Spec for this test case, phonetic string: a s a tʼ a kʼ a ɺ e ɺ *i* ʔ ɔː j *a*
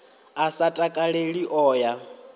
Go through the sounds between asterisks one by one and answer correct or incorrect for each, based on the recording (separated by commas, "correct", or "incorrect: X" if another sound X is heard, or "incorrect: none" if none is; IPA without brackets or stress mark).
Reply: correct, correct